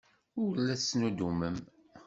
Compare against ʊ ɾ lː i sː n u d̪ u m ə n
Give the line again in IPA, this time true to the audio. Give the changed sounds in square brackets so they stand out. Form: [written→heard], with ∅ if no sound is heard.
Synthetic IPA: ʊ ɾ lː [i→æ] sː n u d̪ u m ə [n→m]